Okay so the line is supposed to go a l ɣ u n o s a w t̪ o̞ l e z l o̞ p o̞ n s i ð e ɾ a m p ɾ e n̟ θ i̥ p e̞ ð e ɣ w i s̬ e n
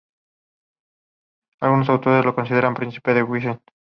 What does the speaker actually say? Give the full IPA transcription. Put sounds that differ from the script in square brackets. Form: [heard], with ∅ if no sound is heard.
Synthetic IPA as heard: a l ɣ u n o s a w t̪ o̞ [ɾ] e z l o̞ [k] o̞ n s i ð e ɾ a m p ɾ [i] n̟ θ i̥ p e̞ ð e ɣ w i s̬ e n